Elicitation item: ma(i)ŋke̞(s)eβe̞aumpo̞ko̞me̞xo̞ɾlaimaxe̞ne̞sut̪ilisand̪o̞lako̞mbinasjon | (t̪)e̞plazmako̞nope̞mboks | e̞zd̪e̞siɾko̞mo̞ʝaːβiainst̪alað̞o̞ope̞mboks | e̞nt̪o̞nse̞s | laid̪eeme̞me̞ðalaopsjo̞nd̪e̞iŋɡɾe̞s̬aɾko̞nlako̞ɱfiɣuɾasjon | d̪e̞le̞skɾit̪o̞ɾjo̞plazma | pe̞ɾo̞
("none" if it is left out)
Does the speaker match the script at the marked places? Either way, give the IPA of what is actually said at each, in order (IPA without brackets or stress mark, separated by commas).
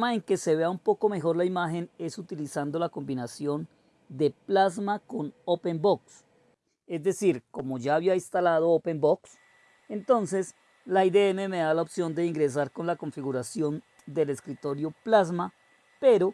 e, s, d̪